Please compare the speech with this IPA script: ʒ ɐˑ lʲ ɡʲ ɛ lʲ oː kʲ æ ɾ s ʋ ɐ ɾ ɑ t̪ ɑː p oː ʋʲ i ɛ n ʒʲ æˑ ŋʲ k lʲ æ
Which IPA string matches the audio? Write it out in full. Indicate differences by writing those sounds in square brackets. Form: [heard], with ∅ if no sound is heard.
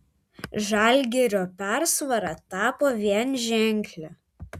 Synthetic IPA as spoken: ʒ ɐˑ lʲ ɡʲ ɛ [ɾʲ] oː [pʲ] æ ɾ s ʋ ɐ ɾ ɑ t̪ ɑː p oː ʋʲ i ɛ n ʒʲ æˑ ŋʲ k lʲ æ